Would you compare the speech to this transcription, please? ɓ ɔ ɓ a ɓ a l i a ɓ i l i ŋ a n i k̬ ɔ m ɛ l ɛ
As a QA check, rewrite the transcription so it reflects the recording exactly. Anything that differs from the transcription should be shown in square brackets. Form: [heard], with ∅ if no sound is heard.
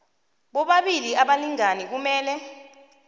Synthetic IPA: ɓ ɔ ɓ a ɓ [i] l i a ɓ [a] l i ŋ a n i k̬ [u] m [ɛː] l ɛ